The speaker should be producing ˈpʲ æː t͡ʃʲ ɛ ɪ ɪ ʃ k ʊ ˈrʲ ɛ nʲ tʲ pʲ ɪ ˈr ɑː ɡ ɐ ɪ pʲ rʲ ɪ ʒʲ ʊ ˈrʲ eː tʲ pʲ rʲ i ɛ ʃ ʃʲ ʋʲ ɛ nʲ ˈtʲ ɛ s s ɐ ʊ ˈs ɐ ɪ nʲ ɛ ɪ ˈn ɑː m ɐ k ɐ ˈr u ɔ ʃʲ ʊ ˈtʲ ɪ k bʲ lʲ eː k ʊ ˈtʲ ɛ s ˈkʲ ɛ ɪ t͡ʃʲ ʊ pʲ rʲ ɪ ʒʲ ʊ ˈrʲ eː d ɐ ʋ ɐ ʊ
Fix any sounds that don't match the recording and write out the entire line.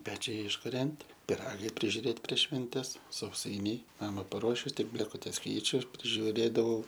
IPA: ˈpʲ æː t͡ʃʲ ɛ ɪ ɪ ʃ k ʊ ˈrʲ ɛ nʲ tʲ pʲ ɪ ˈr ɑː ɡ ɐ ɪ pʲ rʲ ɪ ʒʲ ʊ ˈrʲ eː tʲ pʲ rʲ i ɛ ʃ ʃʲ ʋʲ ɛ nʲ ˈtʲ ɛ s s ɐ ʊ ˈs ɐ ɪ nʲ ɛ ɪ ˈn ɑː m ɐ p ɐ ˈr u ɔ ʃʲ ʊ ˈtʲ ɪ k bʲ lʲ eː k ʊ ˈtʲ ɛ s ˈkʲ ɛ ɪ t͡ʃʲ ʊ pʲ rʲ ɪ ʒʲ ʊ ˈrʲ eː d ɐ ʋ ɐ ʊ